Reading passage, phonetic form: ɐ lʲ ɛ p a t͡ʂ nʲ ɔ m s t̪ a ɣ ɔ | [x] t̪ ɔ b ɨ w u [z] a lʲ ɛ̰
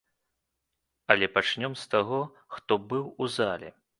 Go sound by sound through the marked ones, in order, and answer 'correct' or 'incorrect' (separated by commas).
correct, correct